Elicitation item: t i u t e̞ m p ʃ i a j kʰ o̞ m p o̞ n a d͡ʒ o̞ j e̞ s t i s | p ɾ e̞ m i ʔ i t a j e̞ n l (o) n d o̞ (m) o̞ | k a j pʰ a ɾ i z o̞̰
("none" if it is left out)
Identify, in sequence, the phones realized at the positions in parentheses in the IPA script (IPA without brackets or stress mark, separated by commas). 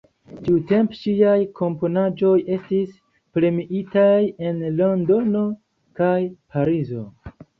o, n